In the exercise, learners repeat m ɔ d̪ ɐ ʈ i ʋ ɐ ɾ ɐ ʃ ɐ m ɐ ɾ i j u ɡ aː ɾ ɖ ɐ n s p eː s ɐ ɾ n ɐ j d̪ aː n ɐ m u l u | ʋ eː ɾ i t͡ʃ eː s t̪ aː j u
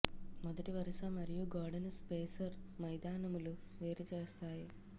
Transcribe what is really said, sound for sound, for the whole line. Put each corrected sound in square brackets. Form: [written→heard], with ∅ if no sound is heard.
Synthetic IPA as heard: m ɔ d̪ ɐ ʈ i ʋ ɐ ɾ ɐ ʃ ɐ m ɐ ɾ i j u ɡ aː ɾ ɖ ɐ n s p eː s ɐ ɾ [n→m] ɐ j d̪ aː n ɐ m u l u | ʋ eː ɾ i t͡ʃ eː s t̪ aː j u

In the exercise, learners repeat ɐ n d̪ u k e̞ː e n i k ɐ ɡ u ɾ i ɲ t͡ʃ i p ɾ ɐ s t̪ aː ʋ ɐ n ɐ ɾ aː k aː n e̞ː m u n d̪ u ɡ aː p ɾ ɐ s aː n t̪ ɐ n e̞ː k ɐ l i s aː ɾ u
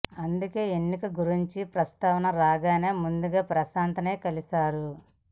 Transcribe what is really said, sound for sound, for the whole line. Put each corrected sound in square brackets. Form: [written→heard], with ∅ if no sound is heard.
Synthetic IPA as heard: ɐ n d̪ u k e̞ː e [n→nː] i k ɐ ɡ u ɾ i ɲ t͡ʃ i p ɾ ɐ s t̪ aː ʋ ɐ n ɐ ɾ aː [k→ɡ] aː n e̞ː m u n d̪ u ɡ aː p ɾ ɐ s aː n t̪ ɐ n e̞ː k ɐ l i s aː ɾ u

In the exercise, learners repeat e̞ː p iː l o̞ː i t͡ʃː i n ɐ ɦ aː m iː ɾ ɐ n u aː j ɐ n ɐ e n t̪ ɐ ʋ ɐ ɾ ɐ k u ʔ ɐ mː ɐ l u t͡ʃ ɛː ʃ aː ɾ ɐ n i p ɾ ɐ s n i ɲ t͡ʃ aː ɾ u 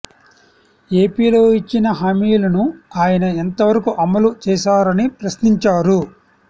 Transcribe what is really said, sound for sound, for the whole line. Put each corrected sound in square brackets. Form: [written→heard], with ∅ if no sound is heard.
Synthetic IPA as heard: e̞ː p iː l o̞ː i t͡ʃː i n ɐ ɦ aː m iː [ɾ→l] ɐ n u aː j ɐ n ɐ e n t̪ ɐ ʋ ɐ ɾ ɐ k u ʔ ɐ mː ɐ l u t͡ʃ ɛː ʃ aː ɾ ɐ n i p ɾ ɐ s n i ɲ t͡ʃ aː ɾ u

